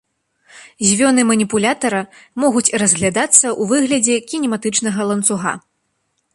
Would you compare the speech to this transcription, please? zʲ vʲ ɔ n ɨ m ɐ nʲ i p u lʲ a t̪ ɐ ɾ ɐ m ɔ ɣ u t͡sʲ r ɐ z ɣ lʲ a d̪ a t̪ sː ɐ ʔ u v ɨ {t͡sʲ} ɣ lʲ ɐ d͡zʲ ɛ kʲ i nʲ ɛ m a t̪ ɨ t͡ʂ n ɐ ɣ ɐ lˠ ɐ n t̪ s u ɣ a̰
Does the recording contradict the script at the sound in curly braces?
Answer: yes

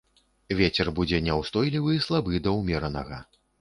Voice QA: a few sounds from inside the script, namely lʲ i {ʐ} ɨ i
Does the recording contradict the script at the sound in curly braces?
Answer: yes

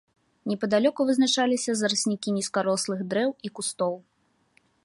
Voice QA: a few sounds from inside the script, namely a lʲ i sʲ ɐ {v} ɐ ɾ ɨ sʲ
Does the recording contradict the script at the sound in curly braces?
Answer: yes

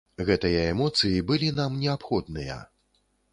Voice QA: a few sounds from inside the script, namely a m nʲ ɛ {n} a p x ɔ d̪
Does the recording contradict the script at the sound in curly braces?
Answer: yes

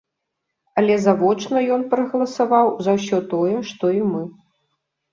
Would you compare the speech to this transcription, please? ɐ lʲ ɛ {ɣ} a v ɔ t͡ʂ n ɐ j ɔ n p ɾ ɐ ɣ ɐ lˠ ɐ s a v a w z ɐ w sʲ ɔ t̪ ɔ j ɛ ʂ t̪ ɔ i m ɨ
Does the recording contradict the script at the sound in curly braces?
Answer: yes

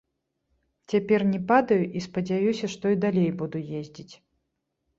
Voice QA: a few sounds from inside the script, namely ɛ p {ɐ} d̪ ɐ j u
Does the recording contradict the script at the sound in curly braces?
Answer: yes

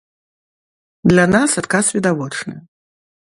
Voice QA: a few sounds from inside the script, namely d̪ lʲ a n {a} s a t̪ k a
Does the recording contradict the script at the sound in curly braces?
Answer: no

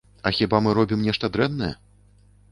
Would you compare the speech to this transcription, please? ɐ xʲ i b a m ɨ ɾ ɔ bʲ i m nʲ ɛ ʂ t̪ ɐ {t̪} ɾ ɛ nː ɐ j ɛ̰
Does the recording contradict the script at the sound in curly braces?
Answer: yes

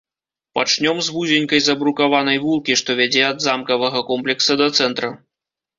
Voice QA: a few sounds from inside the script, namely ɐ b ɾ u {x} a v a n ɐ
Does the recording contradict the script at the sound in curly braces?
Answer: yes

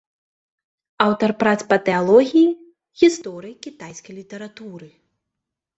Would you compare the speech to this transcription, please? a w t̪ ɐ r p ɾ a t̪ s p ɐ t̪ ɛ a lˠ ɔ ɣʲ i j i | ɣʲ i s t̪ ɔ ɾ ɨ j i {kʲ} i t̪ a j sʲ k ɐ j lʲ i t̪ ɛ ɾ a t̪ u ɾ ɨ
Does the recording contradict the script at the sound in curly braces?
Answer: no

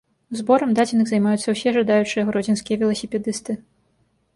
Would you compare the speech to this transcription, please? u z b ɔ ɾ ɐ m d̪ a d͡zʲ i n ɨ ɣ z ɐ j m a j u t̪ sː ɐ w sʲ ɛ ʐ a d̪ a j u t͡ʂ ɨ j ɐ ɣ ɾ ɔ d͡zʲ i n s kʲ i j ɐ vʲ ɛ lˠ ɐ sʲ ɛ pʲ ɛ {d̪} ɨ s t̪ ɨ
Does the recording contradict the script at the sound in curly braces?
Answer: no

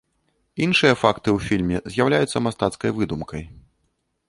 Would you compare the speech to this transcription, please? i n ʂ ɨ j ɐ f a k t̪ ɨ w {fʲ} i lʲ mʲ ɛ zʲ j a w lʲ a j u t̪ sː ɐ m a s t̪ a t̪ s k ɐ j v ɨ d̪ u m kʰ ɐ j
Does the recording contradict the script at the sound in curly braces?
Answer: no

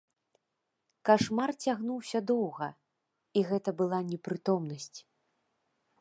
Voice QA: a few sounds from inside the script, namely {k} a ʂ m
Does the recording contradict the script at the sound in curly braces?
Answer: no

